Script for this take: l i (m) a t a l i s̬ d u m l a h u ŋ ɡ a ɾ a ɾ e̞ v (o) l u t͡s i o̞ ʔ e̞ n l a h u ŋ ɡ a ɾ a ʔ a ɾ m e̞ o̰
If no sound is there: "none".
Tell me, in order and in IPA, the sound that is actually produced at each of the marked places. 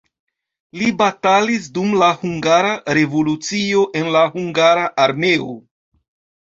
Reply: b, o

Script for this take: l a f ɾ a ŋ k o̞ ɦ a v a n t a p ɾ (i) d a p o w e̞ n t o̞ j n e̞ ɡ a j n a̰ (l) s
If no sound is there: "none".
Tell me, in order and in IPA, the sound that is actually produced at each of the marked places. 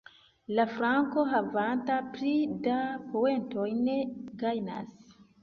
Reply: i, none

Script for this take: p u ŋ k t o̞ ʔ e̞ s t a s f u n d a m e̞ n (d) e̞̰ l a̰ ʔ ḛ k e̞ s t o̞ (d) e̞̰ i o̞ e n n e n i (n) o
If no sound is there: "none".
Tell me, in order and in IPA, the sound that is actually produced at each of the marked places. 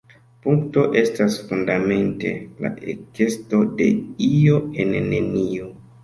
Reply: t, d, none

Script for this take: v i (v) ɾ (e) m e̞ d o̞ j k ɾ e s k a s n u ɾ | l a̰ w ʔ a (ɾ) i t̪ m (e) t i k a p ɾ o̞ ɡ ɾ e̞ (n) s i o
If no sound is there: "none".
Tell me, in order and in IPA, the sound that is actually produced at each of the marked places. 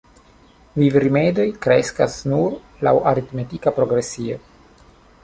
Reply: v, i, ɾ, e, none

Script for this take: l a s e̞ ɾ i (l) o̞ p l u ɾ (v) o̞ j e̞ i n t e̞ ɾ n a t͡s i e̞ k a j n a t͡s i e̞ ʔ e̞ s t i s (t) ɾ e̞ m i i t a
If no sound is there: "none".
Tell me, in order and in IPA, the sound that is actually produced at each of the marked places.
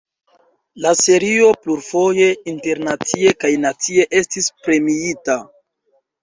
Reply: none, f, p

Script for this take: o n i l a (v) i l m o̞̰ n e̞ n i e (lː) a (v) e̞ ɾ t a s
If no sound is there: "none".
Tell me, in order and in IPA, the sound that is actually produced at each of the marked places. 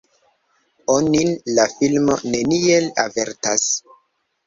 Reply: f, l, v

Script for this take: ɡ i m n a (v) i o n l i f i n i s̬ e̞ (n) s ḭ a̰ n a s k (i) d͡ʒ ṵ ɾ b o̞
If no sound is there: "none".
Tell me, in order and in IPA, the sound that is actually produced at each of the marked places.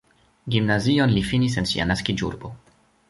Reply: z, n, i

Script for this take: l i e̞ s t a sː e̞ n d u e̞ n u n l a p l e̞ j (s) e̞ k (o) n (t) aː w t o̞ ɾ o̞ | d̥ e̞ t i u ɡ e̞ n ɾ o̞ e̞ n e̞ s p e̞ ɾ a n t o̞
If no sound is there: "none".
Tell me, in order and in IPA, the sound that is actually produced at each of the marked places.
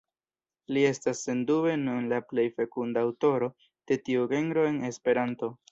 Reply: f, u, d

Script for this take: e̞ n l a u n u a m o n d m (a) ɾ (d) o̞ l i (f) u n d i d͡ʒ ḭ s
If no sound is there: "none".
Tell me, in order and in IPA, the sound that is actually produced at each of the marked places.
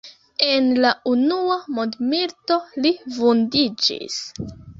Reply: i, t, v

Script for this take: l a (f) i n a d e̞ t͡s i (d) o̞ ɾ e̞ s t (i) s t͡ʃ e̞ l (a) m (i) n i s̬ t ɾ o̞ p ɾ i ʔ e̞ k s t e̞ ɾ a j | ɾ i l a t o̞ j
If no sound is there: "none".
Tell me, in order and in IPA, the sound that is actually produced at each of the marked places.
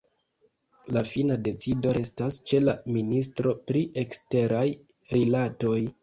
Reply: f, d, a, a, i

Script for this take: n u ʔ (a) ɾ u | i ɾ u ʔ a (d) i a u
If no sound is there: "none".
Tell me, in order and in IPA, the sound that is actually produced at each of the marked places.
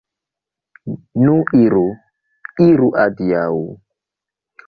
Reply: i, d

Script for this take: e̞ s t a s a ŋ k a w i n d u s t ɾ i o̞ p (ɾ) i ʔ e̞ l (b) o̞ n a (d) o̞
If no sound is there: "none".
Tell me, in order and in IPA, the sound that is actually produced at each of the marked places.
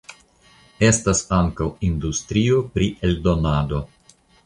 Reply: ɾ, d, d

